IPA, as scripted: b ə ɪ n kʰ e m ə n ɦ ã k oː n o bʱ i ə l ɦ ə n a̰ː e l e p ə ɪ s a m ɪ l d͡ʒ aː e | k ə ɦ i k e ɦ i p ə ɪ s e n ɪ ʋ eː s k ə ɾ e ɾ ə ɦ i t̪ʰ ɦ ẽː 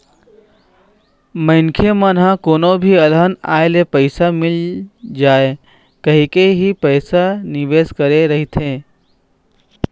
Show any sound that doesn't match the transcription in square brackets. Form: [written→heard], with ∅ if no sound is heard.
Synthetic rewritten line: [b→m] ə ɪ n kʰ e m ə n ɦ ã k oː n o bʱ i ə l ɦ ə n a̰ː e l e p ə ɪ s a m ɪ l d͡ʒ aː e | k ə ɦ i k e ɦ i p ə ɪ s [e→a] n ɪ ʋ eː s k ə ɾ e ɾ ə ɦ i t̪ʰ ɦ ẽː